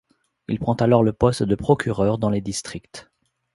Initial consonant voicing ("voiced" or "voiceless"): voiced